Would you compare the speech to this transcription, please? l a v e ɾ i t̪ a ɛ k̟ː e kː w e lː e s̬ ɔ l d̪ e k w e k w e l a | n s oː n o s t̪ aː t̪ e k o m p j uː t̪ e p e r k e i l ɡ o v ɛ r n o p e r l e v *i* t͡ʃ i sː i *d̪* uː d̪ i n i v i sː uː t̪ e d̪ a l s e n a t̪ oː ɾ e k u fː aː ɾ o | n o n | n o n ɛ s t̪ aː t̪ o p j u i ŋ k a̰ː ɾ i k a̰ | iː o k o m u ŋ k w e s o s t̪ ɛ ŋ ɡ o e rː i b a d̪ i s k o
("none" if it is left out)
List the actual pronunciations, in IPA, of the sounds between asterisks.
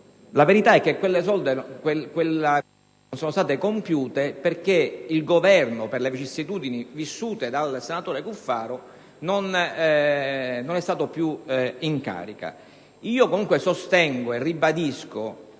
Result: i, t̪

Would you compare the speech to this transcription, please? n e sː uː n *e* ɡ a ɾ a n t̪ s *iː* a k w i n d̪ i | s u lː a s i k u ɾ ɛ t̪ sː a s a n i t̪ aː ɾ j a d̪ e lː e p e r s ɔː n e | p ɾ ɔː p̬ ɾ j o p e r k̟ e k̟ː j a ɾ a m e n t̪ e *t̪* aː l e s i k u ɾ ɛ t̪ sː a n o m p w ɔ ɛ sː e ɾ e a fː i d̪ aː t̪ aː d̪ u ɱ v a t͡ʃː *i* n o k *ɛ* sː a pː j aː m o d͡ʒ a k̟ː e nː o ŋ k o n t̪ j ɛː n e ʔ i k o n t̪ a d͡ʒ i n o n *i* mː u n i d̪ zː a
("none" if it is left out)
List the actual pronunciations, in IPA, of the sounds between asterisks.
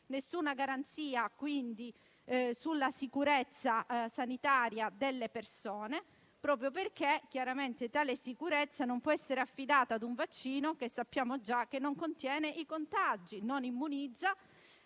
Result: a, iː, t̪, iː, e, i

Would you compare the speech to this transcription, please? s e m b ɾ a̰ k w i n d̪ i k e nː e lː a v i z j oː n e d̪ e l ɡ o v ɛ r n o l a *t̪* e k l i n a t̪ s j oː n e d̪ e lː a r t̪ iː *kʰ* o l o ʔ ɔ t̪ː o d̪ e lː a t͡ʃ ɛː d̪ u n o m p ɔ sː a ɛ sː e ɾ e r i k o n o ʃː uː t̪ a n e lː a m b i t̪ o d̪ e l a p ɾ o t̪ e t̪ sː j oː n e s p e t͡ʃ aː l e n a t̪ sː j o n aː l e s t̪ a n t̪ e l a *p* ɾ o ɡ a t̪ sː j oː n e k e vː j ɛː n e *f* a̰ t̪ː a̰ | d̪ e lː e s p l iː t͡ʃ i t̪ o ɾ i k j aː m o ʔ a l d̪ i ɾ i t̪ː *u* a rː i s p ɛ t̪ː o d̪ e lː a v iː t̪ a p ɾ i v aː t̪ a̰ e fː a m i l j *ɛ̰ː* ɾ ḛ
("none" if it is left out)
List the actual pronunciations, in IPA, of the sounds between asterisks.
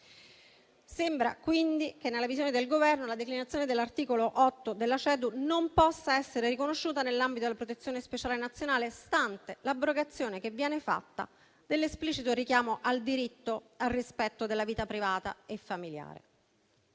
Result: d̪, k, b, f, o, a̰ː

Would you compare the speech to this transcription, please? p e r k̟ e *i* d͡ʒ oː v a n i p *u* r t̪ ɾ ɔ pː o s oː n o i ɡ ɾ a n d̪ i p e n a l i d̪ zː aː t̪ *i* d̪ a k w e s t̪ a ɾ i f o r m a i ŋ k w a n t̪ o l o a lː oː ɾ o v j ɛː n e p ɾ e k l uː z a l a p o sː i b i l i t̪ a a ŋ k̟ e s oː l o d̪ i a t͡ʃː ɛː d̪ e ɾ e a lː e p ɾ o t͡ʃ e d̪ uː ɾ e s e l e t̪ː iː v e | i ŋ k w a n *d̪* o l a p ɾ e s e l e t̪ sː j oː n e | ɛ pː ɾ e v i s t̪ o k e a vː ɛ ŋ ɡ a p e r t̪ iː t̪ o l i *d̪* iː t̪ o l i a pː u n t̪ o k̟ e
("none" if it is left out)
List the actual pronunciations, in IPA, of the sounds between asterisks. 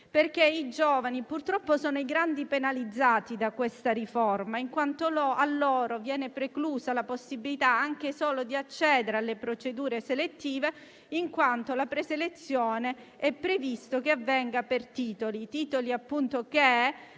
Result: i, u, i, t̪, t̪

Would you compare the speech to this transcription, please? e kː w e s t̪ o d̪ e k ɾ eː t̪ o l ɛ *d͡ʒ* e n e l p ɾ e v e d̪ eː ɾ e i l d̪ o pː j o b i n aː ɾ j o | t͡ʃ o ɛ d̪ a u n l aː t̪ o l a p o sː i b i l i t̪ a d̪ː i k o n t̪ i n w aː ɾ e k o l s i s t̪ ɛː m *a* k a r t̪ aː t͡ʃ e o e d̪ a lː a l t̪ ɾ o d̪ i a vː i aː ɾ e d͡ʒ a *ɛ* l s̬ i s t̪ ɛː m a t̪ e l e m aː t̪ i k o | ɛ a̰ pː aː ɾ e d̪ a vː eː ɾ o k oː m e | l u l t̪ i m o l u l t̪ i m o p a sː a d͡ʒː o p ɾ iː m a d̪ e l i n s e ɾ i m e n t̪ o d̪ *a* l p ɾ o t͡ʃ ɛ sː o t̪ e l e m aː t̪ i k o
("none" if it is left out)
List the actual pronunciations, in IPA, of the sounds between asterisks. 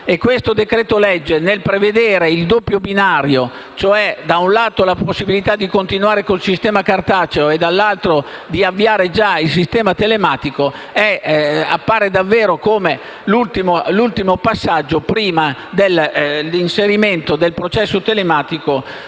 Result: d͡ʒː, a, i, e

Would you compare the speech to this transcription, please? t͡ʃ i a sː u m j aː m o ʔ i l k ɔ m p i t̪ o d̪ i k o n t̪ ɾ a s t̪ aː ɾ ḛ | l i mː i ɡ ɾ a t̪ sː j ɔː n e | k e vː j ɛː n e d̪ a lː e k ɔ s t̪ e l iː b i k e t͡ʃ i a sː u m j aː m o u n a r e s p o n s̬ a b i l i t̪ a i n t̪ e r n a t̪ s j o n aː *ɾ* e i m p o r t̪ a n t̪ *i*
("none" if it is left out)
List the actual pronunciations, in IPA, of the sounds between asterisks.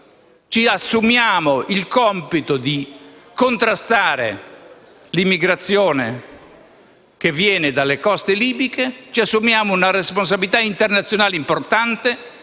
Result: l, e

